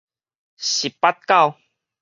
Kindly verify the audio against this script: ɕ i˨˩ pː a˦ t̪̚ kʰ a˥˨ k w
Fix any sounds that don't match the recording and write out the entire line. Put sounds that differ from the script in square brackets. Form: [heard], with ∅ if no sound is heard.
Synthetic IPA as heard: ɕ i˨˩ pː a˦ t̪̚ [k] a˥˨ [∅] w